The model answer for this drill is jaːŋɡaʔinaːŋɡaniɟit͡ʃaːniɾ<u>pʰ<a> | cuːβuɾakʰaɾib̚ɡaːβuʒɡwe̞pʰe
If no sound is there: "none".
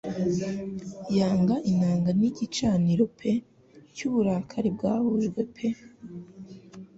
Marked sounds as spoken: o, e

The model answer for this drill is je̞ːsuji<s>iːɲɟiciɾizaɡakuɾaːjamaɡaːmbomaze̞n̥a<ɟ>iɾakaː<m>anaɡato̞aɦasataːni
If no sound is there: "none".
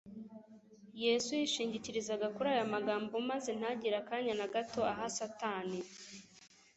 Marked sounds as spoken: ʃ, ɟ, ɲ

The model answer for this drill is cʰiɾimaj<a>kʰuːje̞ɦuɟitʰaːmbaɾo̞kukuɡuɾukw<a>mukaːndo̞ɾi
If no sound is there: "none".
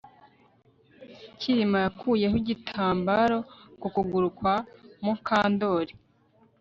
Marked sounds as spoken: a, a

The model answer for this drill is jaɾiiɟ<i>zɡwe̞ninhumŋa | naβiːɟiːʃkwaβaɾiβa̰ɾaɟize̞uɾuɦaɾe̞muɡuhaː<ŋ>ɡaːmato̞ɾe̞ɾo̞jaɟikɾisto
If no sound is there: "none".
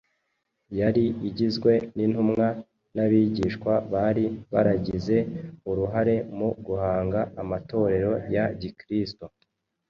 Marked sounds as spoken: i, ŋ

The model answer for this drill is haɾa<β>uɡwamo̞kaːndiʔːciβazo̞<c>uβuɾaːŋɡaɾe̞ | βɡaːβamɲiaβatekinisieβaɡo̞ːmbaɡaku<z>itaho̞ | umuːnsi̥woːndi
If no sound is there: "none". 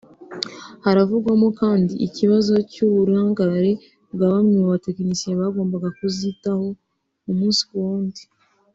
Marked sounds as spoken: v, c, z

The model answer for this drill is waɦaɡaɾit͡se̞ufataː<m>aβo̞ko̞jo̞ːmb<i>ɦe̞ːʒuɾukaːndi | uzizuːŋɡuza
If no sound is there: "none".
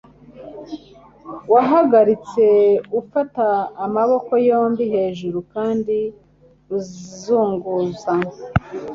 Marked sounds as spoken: m, i

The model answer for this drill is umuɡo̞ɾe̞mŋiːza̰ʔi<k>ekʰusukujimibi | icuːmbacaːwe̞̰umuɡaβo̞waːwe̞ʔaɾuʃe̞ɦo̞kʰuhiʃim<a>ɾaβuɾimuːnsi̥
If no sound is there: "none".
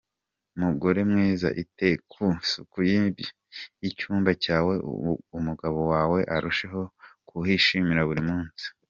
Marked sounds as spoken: t, i

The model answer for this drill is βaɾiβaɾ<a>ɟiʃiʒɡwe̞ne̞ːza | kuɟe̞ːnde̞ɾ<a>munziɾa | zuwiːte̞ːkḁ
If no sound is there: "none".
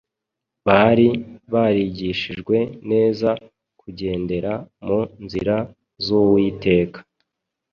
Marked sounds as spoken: i, a

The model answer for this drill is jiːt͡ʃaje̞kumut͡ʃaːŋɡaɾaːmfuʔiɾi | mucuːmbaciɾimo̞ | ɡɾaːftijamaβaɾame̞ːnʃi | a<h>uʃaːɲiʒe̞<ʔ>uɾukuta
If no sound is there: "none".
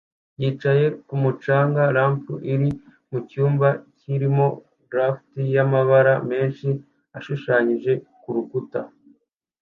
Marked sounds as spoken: ʃ, k

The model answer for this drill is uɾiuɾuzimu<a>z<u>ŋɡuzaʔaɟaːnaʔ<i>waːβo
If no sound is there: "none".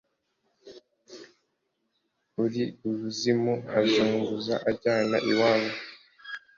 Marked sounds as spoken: a, uː, i

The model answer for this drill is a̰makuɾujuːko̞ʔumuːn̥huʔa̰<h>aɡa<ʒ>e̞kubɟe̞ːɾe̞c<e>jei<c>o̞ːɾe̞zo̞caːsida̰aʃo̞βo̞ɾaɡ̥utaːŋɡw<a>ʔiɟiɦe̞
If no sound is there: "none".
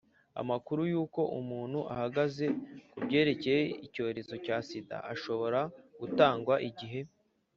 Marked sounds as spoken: h, z, e, c, a

